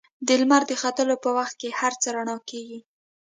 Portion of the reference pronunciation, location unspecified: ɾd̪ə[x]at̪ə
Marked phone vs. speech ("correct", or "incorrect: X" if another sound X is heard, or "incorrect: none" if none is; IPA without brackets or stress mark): correct